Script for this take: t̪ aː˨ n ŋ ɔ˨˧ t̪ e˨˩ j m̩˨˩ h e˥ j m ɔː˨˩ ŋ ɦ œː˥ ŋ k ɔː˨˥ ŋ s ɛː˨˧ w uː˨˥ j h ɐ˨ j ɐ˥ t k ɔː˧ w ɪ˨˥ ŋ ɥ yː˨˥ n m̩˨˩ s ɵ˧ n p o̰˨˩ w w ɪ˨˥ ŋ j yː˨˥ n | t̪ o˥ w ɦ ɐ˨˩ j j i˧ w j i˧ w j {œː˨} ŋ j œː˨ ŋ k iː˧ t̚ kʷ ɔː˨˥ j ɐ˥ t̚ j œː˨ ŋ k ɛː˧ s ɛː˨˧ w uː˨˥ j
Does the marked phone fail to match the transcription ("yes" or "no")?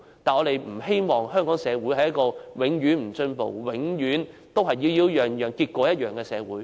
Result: no